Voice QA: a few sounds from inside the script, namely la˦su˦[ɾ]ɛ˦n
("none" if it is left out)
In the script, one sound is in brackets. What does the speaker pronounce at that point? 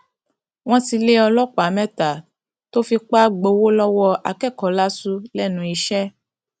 l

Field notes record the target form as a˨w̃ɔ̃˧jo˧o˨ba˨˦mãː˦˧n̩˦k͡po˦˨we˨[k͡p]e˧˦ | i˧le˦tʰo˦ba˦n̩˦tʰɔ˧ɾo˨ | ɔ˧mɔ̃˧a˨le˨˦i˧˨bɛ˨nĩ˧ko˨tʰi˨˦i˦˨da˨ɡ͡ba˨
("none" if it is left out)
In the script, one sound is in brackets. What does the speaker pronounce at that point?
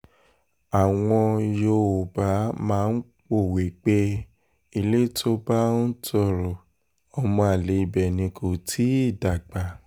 k͡p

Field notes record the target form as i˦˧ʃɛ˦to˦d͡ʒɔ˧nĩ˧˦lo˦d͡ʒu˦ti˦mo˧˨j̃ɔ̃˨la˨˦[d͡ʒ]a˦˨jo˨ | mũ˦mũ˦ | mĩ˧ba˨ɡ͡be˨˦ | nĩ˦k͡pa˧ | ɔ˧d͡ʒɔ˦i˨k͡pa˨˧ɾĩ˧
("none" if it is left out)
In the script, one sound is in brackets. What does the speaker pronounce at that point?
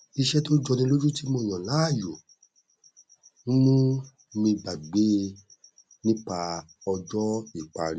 none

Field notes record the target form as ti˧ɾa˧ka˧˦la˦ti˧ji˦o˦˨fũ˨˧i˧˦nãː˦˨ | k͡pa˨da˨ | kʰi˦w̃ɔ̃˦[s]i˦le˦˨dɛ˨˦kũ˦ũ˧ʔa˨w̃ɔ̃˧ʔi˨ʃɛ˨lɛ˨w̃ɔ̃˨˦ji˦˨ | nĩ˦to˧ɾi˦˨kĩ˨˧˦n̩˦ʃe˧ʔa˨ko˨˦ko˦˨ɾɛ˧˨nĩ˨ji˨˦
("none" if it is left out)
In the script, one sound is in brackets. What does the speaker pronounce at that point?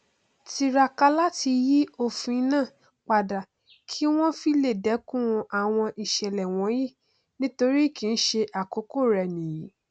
f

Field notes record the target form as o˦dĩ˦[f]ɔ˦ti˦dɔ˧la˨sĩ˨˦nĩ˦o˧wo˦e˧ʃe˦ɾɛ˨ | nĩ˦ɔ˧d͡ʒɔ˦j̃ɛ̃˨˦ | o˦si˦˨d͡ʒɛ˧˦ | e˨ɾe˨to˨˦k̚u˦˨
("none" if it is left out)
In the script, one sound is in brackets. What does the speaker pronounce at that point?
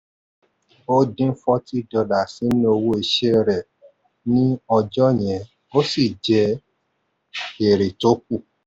f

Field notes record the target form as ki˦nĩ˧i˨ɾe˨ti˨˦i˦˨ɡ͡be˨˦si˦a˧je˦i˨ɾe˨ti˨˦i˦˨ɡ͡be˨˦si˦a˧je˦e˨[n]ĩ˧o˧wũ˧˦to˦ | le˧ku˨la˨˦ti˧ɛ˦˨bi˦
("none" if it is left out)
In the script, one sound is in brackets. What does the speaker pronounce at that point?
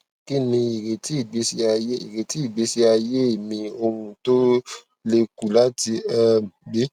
m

